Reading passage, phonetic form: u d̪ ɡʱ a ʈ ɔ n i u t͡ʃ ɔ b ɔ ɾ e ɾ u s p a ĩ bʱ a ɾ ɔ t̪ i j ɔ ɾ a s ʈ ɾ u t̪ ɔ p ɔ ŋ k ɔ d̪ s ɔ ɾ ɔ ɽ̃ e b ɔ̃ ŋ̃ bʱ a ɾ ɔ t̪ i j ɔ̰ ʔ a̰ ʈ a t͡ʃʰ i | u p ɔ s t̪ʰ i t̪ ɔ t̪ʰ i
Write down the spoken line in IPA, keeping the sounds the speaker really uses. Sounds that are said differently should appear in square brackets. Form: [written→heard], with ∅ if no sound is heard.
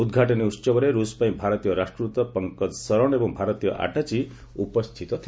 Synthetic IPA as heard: u d̪ ɡʱ a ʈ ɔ n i u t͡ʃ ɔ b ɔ ɾ e ɾ u s p a ĩ bʱ a ɾ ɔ t̪ i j ɔ ɾ a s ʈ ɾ u t̪ ɔ p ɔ ŋ k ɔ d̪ s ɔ ɾ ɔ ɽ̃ e b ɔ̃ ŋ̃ bʱ a ɾ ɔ t̪ i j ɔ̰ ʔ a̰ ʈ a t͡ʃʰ i | u p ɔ s t̪ʰ i t̪ ɔ t̪ʰ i